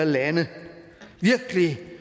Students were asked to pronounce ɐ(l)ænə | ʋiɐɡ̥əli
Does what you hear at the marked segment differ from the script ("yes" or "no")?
no